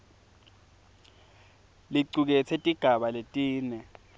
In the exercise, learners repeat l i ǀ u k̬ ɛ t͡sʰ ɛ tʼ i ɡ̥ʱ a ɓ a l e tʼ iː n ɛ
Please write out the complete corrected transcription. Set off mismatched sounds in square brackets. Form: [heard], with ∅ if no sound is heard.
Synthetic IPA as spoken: l i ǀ u k̬ ɛ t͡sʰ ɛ tʼ i ɡ̥ʱ a ɓ a l e tʼ iː n ɛ